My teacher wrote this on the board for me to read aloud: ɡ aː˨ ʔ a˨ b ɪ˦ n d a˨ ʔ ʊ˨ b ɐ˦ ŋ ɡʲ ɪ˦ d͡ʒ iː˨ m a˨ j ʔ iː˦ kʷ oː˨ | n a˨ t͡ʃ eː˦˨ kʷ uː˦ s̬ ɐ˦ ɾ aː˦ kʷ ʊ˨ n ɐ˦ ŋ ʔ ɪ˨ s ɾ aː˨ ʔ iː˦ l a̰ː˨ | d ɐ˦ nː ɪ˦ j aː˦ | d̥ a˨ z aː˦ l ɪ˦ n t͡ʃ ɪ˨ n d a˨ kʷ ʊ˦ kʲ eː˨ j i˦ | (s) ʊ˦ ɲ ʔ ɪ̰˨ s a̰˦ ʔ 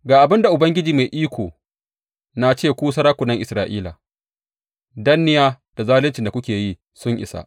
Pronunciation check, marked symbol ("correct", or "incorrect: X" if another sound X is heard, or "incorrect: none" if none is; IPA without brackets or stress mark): correct